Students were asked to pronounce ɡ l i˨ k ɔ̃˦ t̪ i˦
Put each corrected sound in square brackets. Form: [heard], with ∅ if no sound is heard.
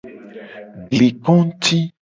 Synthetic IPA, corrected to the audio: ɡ l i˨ k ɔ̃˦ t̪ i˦